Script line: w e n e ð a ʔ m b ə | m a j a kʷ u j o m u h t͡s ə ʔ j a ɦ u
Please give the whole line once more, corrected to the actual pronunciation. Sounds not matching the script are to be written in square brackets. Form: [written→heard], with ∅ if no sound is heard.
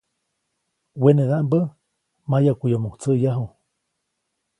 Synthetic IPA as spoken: w e n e ð a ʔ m b ə | m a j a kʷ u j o m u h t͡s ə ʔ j a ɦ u

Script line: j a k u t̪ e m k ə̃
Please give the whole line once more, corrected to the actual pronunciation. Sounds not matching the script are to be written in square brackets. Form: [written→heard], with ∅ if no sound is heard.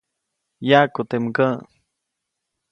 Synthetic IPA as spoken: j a k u t̪ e m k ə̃

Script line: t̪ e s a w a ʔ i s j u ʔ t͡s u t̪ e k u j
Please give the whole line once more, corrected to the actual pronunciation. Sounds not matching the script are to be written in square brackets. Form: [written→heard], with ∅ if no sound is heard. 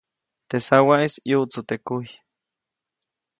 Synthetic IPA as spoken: t̪ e s a w a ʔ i s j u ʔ t͡s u t̪ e k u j

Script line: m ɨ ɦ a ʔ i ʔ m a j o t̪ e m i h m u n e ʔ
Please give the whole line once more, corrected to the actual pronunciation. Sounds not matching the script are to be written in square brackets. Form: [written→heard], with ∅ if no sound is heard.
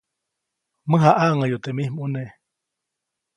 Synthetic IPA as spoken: m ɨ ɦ a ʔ [i→a] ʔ [m→ŋ] a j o t̪ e m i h m u n e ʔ

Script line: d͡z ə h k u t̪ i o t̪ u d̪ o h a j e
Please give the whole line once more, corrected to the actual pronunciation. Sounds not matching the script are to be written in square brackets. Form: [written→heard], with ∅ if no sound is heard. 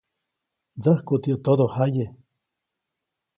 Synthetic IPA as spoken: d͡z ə h k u t̪ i o t̪ [u→o] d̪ o h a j e

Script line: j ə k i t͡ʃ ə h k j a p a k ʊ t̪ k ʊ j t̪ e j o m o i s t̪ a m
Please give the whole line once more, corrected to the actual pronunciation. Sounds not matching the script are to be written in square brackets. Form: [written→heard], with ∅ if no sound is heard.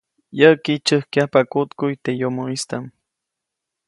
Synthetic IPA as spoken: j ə k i t͡ʃ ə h k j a p a k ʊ t̪ k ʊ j t̪ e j o m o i s t̪ a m

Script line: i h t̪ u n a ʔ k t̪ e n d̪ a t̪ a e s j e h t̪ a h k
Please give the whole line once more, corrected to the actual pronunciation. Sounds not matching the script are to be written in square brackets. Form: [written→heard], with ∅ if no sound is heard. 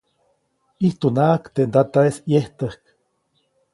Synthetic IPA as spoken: i h t̪ u n a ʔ k t̪ e n d̪ a t̪ a e s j e h t̪ [a→ə] h k

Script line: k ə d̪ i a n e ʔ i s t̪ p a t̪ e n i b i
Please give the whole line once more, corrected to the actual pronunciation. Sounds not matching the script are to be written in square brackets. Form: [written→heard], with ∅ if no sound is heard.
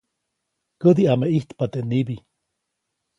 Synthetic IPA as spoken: k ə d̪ i a [n→m] e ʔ i [s→h] t̪ p a t̪ e n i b i

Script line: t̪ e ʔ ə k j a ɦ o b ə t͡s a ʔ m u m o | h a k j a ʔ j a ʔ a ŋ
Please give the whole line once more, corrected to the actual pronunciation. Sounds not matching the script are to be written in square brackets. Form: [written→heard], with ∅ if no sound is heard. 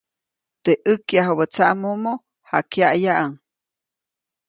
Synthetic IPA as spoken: t̪ e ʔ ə k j a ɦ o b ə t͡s a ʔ m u m o | h a k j a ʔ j a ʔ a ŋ

